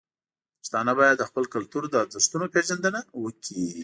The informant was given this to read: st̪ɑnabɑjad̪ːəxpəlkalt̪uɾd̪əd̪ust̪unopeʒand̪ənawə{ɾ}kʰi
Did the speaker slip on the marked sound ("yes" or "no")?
yes